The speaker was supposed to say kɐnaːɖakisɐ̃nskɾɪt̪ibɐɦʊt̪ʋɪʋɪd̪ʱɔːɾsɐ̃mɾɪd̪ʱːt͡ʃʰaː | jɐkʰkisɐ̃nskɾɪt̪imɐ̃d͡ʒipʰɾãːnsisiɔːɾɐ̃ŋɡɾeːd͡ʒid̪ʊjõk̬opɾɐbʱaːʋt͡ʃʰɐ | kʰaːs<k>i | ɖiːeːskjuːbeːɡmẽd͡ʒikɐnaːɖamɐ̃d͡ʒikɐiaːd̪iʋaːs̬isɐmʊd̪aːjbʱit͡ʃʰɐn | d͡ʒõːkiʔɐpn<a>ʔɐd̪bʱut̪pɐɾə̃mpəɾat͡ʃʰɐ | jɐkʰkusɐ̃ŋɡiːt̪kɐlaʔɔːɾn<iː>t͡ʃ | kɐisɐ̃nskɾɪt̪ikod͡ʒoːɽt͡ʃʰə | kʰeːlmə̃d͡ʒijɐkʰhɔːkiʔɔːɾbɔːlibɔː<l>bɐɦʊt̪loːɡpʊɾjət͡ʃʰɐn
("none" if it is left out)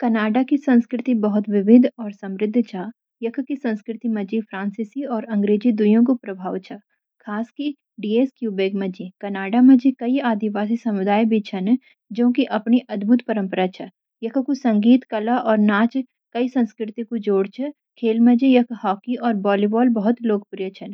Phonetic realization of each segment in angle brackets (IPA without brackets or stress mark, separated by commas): k, i, aː, l